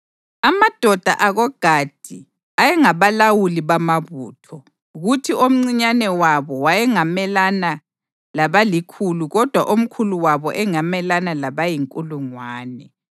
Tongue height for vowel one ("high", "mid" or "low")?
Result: low